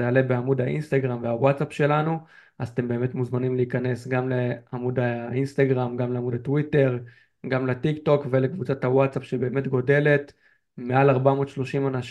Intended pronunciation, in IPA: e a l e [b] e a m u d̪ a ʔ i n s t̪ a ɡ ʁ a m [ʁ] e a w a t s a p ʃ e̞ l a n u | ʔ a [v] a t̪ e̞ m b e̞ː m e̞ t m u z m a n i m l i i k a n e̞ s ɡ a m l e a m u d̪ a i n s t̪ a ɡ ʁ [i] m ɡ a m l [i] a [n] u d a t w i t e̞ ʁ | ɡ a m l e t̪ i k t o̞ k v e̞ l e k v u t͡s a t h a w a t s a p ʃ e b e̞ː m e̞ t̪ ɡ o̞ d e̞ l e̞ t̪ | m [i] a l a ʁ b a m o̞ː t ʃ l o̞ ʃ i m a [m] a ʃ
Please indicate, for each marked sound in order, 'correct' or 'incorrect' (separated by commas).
correct, incorrect, incorrect, incorrect, incorrect, incorrect, incorrect, incorrect